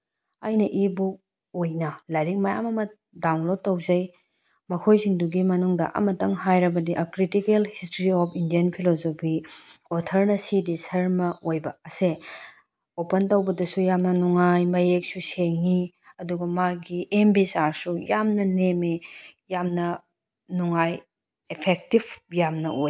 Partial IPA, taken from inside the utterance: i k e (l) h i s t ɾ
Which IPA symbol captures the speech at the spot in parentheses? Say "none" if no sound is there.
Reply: l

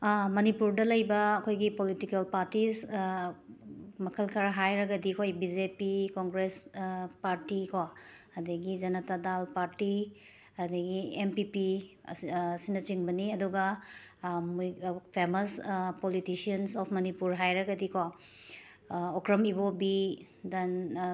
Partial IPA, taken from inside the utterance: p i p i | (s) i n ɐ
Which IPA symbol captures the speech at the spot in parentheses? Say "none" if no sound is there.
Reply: s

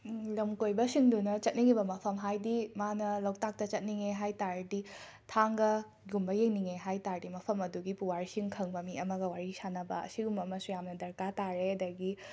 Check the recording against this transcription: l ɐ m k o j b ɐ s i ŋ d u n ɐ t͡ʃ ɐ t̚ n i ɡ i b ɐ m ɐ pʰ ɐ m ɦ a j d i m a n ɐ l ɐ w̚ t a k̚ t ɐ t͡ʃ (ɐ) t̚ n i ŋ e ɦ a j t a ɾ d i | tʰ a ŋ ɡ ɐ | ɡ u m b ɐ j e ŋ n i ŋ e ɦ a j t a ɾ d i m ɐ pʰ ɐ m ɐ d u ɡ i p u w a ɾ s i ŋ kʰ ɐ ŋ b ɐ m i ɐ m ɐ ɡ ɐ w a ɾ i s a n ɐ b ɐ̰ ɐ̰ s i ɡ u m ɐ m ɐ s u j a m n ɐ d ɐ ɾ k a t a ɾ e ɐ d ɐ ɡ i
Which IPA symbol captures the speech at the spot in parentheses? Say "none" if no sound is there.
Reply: ɐ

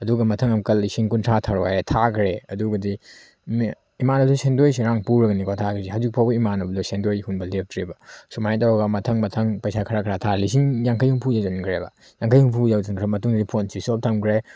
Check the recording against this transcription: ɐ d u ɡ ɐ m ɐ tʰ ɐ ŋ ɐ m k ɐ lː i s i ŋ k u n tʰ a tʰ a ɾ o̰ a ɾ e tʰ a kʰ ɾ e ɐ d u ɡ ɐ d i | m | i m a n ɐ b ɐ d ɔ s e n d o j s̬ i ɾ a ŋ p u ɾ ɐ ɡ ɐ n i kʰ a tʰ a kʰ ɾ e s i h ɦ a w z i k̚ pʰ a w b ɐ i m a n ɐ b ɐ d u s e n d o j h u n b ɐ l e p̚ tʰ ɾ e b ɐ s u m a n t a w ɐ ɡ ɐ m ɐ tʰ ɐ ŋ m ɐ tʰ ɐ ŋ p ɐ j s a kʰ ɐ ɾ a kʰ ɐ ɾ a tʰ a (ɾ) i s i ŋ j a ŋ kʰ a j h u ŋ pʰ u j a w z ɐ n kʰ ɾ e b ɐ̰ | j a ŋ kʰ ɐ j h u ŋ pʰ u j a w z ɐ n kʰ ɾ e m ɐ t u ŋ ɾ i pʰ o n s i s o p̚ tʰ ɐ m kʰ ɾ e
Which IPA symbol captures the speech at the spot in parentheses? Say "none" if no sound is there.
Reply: l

